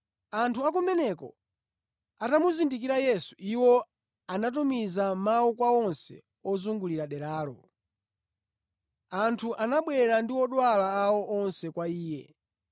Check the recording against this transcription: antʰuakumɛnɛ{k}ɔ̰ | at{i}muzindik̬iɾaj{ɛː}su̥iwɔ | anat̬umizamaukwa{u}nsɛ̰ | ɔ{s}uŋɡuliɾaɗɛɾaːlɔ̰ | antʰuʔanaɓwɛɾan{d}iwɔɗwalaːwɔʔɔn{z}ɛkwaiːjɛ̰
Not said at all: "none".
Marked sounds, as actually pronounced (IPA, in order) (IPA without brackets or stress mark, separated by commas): k, a, ɛ, ɔ, z, d, s